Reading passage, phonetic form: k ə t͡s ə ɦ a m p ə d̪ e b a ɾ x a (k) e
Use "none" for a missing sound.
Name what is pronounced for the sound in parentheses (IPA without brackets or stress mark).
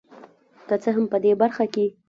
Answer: k